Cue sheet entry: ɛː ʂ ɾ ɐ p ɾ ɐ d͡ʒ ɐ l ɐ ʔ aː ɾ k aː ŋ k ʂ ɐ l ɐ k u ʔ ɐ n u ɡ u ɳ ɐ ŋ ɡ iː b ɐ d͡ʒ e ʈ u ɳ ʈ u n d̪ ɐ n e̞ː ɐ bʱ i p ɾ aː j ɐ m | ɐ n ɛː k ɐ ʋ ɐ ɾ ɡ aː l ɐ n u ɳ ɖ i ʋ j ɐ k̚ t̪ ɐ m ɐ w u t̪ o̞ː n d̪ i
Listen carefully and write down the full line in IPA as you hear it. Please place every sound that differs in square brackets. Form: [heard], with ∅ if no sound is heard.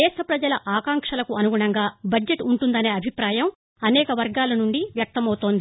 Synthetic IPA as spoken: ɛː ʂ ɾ ɐ p ɾ ɐ d͡ʒ ɐ l ɐ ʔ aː [∅] k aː ŋ k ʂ ɐ l ɐ k u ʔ ɐ n u ɡ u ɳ ɐ ŋ ɡ [aː] b ɐ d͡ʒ e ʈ u ɳ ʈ u n d̪ ɐ n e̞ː ɐ bʱ i p ɾ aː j ɐ m | ɐ n ɛː k ɐ ʋ ɐ ɾ ɡ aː l ɐ n u ɳ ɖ i ʋ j ɐ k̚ t̪ ɐ m ɐ w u t̪ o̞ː n d̪ i